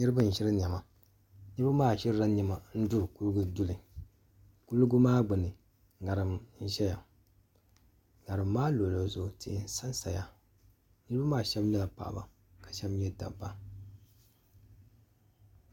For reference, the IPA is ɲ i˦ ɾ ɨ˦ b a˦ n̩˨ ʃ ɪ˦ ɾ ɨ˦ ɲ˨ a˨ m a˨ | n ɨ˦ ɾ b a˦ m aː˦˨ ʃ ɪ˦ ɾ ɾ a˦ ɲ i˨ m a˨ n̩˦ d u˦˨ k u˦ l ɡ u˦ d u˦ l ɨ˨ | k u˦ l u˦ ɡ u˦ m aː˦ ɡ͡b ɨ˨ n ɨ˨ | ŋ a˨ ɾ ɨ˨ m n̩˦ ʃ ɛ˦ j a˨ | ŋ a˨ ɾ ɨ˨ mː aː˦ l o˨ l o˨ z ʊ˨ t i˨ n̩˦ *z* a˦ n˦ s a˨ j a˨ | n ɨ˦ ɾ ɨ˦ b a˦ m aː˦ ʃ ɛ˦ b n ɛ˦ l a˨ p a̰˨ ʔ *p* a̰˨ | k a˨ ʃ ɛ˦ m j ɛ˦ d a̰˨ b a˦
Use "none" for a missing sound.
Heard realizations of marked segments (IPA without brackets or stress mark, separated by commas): s, b